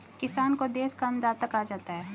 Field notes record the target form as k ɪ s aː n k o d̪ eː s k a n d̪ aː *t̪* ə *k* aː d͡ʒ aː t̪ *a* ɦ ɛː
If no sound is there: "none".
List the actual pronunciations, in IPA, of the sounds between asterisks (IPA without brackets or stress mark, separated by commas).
t̪, k, a